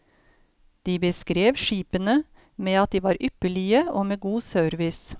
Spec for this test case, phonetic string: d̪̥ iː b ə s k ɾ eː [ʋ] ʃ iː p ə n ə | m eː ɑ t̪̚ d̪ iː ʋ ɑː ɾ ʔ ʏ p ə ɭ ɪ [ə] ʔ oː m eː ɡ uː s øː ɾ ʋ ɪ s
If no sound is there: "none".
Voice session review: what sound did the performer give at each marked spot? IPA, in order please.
ʋ, ə

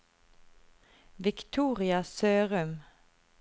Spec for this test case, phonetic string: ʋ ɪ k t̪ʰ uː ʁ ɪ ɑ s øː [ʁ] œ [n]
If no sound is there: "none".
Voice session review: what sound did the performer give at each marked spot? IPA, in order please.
ʁ, m

